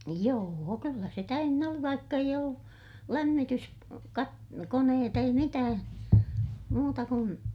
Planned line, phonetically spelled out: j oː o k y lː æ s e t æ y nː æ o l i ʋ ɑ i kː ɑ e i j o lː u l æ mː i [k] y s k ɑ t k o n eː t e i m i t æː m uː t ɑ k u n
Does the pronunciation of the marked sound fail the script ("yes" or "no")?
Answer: yes